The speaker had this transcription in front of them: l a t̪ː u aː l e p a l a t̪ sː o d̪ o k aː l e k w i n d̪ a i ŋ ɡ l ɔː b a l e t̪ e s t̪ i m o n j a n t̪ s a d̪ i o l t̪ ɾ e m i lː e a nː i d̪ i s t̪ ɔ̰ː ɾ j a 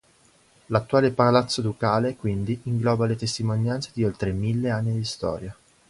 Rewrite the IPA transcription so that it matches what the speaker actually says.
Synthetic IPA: l a t̪ː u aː l e p a l a t̪ sː o d̪ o k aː l e k w i n d̪ i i ŋ ɡ l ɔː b a l e t̪ e s t̪ i m o n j a n t̪ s e d̪ i o l t̪ ɾ e m i lː e a nː i d̪ i s t̪ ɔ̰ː ɾ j a

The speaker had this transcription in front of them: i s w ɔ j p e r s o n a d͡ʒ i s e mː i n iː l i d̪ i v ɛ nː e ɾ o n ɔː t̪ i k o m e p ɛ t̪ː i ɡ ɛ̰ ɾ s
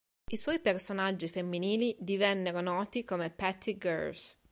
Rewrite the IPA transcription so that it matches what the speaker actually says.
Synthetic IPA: i s w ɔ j p e r s o n a d͡ʒː i f e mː i n iː l i d̪ i v ɛ nː e ɾ o n ɔː t̪ i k o m e p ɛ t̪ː i ɡ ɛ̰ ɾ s

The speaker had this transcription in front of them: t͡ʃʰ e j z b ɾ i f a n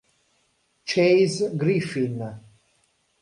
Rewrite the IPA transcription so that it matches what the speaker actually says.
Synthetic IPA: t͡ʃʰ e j z ɡ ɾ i f i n

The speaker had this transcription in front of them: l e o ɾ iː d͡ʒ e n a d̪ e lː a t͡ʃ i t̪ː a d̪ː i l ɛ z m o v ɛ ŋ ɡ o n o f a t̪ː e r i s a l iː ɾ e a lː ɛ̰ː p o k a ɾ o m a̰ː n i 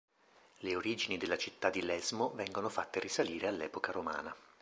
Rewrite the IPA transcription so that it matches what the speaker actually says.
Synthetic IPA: l e o ɾ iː d͡ʒ i n i d̪ e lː a t͡ʃ i t̪ː a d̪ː i l ɛ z m o v ɛ ŋ ɡ o n o f a t̪ː e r i s a l iː ɾ e a lː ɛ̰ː p o k a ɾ o m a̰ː n a

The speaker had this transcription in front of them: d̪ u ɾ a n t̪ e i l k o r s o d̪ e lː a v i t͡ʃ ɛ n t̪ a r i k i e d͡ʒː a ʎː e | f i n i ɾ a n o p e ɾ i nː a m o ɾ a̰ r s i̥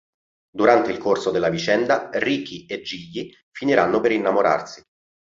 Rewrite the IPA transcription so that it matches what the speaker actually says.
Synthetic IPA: d̪ u ɾ a n t̪ e i l k o r s o d̪ e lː a v i t͡ʃ ɛ n d̪ a r i k i e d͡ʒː i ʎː i | f i n i ɾ a nː o p e ɾ i nː a m o ɾ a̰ r s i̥

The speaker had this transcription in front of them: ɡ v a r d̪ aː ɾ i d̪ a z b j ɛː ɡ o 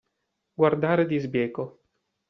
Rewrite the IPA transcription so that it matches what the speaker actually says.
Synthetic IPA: ɡ w a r d̪ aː ɾ e d̪ i z b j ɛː k o

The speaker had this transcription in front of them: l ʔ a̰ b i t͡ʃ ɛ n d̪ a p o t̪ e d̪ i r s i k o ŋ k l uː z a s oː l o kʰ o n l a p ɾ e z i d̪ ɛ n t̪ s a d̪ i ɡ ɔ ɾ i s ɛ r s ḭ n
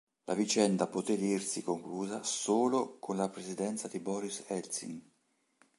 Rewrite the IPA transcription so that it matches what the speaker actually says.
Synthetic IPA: l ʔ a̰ v i t͡ʃ ɛ n d̪ a p o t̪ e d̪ i r s i k o ŋ k l uː z a s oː l o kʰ o n l a p ɾ e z i d̪ ɛ n t̪ s a d̪ i b ɔ ɾ i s ɛ l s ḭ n

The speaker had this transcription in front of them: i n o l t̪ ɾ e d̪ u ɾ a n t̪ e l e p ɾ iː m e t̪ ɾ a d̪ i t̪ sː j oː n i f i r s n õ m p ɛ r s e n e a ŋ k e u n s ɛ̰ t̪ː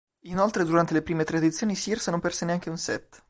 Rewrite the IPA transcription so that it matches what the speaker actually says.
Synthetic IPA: i n o l t̪ ɾ e d̪ u ɾ a n t̪ e l e p ɾ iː m e t̪ ɾ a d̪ i t̪ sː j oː n i s i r s n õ m p ɛ r s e n e a ŋ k e u n s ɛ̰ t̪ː

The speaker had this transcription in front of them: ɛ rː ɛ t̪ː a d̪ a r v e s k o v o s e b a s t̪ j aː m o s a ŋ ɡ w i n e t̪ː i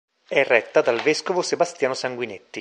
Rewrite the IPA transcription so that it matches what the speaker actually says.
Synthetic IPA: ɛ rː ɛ t̪ː a d̪ a l v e s k o v o s e b a s t̪ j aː n o s a ŋ ɡ w i n e t̪ː i

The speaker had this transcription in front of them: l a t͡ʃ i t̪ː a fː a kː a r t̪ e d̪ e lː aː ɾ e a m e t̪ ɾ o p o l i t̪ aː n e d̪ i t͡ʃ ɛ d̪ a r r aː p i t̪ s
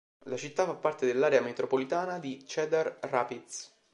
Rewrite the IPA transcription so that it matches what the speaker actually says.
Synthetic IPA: l a t͡ʃ i t̪ː a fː a pː a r t̪ e d̪ e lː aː ɾ e a m e t̪ ɾ o p o l i t̪ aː n a d̪ i t͡ʃ ɛ d̪ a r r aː p i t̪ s

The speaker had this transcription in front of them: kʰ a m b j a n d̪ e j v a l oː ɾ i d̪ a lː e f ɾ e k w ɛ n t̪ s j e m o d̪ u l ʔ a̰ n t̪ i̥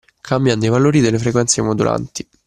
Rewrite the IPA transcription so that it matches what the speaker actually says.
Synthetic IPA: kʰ a m b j a n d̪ e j v a l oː ɾ i d̪ e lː e f ɾ e k w ɛ n t̪ s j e m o d̪ u l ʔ a̰ n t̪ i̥

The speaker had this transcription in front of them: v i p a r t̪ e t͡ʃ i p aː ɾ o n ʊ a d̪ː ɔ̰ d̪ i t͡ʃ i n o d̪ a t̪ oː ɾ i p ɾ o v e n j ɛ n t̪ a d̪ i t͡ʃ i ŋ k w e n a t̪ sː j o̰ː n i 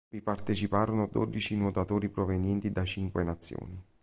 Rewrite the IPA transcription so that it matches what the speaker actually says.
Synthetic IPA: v i p a r t̪ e t͡ʃ i p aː ɾ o n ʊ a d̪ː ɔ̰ d̪ i t͡ʃ i n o t̪ a t̪ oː ɾ i p ɾ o v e n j ɛ n t̪ i d̪ a t͡ʃ i ŋ k w e n a t̪ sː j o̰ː n i

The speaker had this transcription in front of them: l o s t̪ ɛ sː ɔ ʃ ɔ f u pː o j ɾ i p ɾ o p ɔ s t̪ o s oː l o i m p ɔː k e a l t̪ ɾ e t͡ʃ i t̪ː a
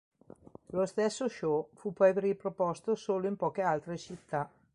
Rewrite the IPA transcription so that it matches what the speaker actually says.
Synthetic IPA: l o s t̪ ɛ sː o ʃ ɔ f u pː ɔ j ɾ i p ɾ o p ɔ s t̪ o s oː l o i m p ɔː k e a l t̪ ɾ e t͡ʃ i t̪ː a

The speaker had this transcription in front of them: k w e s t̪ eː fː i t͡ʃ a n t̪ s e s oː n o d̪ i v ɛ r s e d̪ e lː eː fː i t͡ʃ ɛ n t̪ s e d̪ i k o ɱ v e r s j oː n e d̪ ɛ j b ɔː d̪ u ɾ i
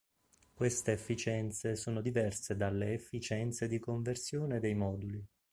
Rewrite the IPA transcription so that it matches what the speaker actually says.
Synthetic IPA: k w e s t̪ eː fː i t͡ʃ ɛ n t̪ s e s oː n o d̪ i v ɛ r s e d̪ a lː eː fː i t͡ʃ ɛ n t̪ s e d̪ i k o ɱ v e r s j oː n e d̪ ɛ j m ɔː d̪ u l i

